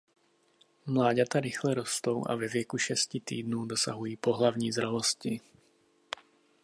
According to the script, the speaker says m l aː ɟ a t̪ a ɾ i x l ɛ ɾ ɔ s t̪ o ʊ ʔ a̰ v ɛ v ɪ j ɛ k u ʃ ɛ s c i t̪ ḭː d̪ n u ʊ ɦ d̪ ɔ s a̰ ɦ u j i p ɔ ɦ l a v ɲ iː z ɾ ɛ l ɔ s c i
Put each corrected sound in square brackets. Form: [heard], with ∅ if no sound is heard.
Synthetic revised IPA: m l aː ɟ a t̪ a ɾ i x l ɛ ɾ ɔ s t̪ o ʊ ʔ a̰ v ɛ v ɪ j ɛ k u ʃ ɛ s c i t̪ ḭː d̪ n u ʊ [∅] d̪ ɔ s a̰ ɦ u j [iː] p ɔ ɦ l a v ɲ iː z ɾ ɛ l ɔ s c i

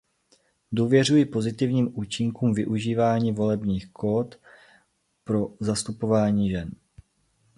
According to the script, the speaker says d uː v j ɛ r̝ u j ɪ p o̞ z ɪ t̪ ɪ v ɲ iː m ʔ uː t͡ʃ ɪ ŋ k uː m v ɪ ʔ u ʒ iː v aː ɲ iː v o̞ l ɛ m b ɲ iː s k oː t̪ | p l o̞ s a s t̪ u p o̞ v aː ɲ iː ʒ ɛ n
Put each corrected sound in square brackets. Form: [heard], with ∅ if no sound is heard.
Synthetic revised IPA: d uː v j ɛ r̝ u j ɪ p o̞ z ɪ t̪ ɪ v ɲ iː m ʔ uː t͡ʃ ɪ ŋ k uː m v ɪ ʔ u ʒ iː v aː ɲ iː v o̞ l ɛ [∅] b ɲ iː [x] k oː t̪ | p [ɾ] o̞ [z] a s t̪ u p o̞ v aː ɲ iː ʒ ɛ n

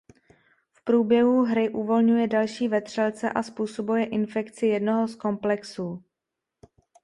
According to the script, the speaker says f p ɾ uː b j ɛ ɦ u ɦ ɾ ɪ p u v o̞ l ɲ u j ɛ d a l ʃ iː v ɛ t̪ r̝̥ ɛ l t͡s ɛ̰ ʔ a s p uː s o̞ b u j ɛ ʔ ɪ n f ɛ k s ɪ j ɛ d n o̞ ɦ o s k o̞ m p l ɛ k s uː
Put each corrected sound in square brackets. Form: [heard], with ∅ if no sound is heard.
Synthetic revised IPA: f p ɾ uː b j ɛ ɦ u ɦ ɾ ɪ [ʔ] u v o̞ l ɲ u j ɛ d a l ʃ iː v ɛ t̪ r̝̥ ɛ l t͡s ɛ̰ ʔ a s p uː s o̞ b u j ɛ ʔ ɪ n f ɛ k [t͡s] ɪ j ɛ d n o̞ ɦ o s k o̞ m p l ɛ k s uː

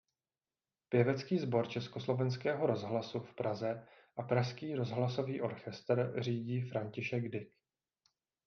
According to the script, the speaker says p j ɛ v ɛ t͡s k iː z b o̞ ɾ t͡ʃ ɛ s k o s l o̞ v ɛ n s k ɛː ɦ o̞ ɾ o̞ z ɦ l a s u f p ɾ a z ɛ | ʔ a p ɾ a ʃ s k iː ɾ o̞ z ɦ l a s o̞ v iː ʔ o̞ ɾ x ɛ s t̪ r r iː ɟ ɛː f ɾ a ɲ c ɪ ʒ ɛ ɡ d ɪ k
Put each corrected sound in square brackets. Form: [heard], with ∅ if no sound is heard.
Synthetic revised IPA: p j ɛ v ɛ t͡s k iː z b o̞ ɾ t͡ʃ ɛ s k o s l o̞ v ɛ n s k ɛː ɦ o̞ ɾ o̞ z ɦ l a s u f p ɾ a z ɛ | ʔ a p ɾ a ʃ s k iː ɾ o̞ z ɦ l a s o̞ v iː ʔ o̞ ɾ x ɛ s t̪ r r iː ɟ [iː] f ɾ a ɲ c ɪ [ʃ] ɛ ɡ d ɪ k

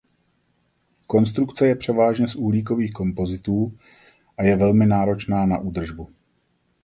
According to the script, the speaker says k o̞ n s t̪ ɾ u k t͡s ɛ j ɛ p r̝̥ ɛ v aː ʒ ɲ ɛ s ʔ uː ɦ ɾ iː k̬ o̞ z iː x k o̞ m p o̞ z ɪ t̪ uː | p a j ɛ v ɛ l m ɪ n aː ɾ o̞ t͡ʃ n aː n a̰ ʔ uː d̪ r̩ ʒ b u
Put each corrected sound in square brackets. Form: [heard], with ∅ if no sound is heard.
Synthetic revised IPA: k o̞ n s t̪ ɾ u k t͡s ɛ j ɛ p r̝̥ ɛ v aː ʒ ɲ ɛ s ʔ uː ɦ [l] iː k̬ o̞ [v] iː x k o̞ m p o̞ z ɪ t̪ uː | [ʔ] a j ɛ v ɛ l m ɪ n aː ɾ o̞ t͡ʃ n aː n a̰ ʔ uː d̪ r̩ ʒ b u

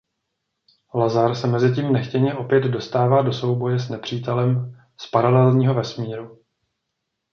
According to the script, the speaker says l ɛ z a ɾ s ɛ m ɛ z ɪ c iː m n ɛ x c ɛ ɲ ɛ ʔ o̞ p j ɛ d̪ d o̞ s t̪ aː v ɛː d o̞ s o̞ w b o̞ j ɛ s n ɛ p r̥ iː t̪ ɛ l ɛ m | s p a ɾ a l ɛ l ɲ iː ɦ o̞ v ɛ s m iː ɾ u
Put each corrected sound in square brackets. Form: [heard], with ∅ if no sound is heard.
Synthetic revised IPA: l [a] z a ɾ s ɛ m ɛ z ɪ c iː m n ɛ x c ɛ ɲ ɛ ʔ o̞ p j ɛ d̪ d o̞ s t̪ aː v [aː] d o̞ s o̞ w b o̞ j ɛ s n ɛ p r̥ iː t̪ ɛ l ɛ m | s p a ɾ a l ɛ l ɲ iː ɦ o̞ v ɛ s m iː ɾ u

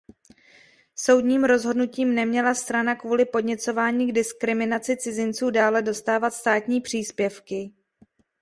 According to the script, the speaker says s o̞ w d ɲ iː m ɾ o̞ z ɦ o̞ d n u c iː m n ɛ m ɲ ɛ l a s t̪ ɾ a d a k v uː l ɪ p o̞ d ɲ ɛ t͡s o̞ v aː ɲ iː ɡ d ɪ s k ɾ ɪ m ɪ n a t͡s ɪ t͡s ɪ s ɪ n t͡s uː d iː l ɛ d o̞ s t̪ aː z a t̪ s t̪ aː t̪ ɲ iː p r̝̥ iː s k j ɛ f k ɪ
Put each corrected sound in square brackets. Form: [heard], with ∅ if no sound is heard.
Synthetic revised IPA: s o̞ w d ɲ iː m ɾ o̞ z ɦ o̞ d n u c iː m n ɛ m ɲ ɛ l a s t̪ ɾ a [n] a k v uː l ɪ p o̞ d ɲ ɛ t͡s o̞ v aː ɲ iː ɡ d ɪ s k ɾ ɪ m ɪ n a t͡s ɪ t͡s ɪ [z] ɪ n t͡s uː d [aː] l ɛ d o̞ s t̪ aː [v] a t̪ s t̪ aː t̪ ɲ iː p r̝̥ iː s [p] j ɛ f k ɪ

